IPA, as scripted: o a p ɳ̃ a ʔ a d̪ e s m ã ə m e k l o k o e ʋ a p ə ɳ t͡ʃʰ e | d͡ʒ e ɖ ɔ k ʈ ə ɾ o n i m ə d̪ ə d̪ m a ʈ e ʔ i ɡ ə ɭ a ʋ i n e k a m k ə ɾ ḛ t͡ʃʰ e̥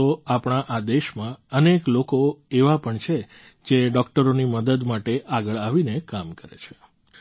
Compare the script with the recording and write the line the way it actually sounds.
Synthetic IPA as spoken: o a p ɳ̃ a ʔ a d̪ e ʃ m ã ə n e k l o k o e ʋ a p ə ɳ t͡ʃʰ e | d͡ʒ e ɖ ɔ k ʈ ə ɾ o n i m ə d̪ ə d̪ m a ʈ e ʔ a ɡ ə ɭ a ʋ i n e k a m k ə ɾ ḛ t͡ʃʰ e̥